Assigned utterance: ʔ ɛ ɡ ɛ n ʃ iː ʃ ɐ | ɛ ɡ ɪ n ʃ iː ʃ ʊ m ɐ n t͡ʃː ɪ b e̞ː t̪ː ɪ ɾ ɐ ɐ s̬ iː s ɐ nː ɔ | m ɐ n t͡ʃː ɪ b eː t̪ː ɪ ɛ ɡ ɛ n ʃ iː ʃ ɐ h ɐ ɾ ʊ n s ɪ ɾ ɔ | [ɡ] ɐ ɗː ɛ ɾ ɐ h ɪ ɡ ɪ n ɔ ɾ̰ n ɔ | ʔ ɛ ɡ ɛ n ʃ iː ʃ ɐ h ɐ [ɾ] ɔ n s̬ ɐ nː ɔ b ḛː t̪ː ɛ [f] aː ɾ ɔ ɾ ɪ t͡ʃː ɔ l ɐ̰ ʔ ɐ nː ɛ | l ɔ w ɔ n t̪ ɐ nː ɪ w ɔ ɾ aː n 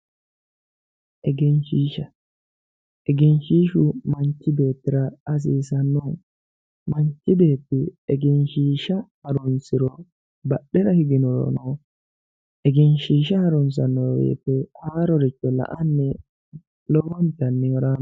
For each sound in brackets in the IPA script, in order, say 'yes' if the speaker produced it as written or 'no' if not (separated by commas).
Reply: no, yes, no